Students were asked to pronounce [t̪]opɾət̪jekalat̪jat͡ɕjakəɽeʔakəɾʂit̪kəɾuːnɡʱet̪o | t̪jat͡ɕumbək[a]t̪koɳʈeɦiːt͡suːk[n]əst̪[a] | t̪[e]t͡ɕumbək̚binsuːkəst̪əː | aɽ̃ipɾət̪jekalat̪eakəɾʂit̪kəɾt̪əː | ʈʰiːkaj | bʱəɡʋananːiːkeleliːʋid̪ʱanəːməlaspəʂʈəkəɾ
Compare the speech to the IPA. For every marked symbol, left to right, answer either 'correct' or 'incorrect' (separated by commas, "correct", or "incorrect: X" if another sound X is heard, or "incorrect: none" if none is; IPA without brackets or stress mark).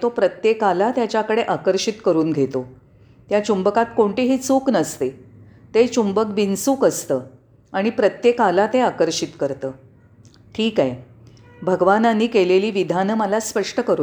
correct, correct, correct, incorrect: e, correct